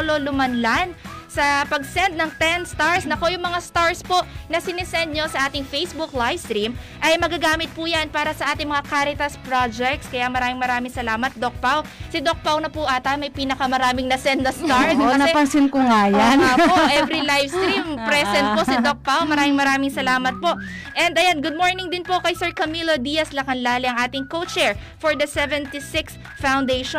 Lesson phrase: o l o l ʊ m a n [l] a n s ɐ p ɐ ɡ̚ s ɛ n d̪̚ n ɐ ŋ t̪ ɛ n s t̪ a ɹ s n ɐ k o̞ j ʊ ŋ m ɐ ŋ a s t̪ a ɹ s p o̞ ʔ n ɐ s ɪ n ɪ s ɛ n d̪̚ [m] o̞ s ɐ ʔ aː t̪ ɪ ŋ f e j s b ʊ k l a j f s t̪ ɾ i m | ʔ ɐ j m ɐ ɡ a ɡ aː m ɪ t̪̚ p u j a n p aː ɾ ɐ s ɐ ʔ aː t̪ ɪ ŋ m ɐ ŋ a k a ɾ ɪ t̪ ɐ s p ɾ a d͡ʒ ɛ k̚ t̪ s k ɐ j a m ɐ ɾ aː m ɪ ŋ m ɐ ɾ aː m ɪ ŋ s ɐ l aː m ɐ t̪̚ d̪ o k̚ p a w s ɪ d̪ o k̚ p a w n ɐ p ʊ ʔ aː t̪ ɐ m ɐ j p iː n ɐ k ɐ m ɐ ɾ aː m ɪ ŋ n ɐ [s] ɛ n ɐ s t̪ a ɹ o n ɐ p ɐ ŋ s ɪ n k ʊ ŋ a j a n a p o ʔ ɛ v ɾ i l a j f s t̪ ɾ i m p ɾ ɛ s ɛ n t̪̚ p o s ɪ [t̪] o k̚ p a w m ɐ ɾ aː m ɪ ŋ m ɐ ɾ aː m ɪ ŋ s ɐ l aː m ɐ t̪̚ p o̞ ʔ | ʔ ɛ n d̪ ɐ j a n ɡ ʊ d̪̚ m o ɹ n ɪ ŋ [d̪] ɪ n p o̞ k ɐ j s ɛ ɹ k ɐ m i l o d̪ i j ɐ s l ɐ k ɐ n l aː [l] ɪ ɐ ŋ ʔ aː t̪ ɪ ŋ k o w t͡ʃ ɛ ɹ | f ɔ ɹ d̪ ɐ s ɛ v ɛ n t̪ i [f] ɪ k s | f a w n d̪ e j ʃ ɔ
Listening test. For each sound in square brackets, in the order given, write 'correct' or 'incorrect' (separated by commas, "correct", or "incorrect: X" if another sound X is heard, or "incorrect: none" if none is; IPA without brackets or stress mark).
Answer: correct, incorrect: ɲ, correct, incorrect: d̪, correct, correct, incorrect: s